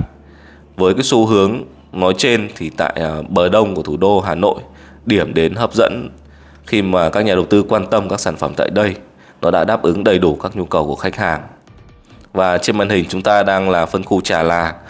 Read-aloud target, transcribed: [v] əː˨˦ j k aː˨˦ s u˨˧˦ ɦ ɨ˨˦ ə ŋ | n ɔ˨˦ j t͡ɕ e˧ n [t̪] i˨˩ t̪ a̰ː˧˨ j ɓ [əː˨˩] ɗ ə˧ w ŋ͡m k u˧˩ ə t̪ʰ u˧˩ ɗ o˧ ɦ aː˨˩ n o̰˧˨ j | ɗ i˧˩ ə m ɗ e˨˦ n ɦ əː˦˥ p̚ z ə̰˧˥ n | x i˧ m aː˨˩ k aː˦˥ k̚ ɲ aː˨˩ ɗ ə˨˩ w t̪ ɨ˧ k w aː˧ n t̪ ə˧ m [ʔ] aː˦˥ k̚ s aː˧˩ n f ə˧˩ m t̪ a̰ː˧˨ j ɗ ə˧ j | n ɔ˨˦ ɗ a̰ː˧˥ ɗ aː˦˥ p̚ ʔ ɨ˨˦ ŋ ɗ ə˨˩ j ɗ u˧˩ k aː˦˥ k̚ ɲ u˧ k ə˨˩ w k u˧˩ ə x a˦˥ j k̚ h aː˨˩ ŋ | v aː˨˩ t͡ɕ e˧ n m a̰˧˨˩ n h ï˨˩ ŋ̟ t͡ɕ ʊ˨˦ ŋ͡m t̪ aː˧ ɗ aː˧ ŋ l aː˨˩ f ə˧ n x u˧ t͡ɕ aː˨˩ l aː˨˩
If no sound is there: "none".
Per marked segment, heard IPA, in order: v, t̪ʰ, əː˨˩, k

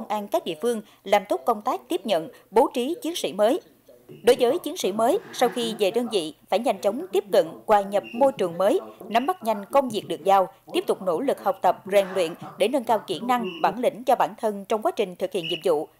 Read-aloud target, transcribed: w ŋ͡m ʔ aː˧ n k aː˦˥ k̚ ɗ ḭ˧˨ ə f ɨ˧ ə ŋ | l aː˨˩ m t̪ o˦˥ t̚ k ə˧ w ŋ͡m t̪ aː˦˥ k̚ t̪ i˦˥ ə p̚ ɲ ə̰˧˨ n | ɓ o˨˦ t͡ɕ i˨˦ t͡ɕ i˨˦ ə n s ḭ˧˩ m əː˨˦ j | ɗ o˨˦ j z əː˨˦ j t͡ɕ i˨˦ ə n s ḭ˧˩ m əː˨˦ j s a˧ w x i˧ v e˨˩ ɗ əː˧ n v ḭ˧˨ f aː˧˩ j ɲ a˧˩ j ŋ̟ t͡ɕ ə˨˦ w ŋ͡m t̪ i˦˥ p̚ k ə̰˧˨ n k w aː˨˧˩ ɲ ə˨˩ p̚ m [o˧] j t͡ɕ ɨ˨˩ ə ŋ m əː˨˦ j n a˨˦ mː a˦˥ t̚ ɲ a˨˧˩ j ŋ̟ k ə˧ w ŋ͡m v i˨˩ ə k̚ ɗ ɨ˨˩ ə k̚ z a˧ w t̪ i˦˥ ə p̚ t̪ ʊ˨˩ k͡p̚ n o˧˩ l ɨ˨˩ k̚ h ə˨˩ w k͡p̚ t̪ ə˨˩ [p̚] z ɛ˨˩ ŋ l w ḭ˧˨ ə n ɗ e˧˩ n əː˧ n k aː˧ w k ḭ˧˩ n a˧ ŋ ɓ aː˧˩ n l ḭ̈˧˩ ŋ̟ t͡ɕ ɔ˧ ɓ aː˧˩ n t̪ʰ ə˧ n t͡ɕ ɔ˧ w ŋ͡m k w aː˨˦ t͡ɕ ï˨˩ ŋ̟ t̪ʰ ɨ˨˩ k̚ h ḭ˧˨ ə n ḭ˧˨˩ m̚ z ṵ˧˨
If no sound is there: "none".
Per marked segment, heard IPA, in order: o˧, p̚

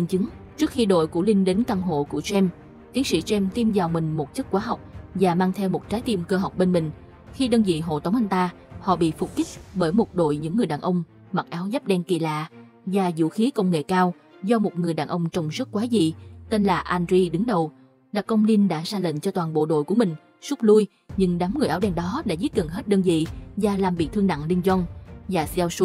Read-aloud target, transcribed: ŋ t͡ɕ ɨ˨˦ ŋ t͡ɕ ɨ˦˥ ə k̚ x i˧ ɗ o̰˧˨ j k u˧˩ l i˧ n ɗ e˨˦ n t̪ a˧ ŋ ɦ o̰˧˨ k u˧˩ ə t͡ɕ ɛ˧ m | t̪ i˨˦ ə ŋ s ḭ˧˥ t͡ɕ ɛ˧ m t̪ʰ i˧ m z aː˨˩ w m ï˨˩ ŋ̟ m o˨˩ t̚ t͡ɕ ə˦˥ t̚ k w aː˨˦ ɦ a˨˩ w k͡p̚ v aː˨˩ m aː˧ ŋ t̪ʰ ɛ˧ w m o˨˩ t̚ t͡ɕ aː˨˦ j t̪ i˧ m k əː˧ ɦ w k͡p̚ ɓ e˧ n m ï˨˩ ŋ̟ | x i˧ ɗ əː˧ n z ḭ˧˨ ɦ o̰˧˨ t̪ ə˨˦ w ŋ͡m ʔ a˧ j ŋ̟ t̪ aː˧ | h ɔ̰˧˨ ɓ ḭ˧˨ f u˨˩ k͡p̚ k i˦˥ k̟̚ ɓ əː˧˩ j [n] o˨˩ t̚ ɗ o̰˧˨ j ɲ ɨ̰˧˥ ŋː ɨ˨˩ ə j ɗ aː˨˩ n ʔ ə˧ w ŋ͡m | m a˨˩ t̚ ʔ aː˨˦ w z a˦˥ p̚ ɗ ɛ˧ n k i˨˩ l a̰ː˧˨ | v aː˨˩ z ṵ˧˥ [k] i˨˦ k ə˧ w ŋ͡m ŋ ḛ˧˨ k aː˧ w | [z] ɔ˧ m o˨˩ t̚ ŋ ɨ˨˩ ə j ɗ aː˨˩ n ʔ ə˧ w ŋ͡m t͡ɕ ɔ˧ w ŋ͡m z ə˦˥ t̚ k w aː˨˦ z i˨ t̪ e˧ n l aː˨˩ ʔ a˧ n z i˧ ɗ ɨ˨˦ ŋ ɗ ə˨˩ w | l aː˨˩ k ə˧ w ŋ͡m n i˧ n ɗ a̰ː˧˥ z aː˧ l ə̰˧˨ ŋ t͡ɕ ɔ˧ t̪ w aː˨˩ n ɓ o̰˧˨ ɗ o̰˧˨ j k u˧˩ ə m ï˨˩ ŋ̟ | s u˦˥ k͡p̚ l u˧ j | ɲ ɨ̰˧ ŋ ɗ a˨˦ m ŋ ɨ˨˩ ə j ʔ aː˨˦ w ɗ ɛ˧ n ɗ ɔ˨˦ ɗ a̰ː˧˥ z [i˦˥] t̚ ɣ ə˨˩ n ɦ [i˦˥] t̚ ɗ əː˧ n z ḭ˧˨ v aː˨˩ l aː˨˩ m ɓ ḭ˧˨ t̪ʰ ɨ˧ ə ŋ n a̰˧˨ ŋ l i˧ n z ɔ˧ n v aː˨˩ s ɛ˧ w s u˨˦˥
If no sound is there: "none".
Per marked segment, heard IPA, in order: m, x, z, i˦˥, e˦˥

